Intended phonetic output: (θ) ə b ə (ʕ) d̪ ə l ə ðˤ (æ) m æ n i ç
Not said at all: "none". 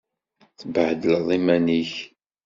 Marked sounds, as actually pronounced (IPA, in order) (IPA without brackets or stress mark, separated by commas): θ, ʕ, i